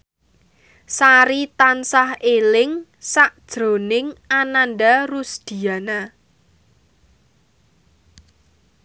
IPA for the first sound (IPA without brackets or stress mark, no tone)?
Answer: s